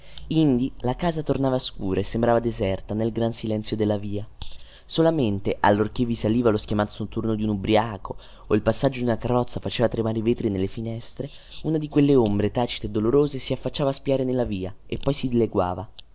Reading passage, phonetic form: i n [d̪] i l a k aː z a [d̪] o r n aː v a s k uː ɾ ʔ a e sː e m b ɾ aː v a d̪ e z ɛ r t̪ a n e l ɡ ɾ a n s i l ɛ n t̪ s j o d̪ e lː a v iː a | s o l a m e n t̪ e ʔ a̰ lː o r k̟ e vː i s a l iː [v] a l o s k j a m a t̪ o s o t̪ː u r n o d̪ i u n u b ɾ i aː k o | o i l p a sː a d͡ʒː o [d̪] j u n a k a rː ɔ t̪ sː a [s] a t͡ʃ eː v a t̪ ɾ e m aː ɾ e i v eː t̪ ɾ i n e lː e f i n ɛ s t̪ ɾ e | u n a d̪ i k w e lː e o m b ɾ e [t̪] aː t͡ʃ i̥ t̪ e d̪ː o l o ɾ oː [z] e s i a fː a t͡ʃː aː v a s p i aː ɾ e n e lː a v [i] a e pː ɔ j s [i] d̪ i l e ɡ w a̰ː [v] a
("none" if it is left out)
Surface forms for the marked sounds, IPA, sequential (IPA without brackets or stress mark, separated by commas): d̪, t̪, v, d̪, f, t̪, z, iː, i, v